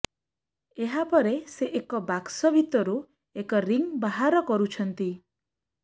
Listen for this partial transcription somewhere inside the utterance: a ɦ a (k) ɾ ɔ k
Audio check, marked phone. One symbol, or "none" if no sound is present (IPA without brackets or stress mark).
none